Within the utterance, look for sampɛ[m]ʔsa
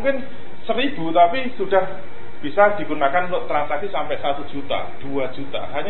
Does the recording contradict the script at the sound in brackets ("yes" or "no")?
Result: yes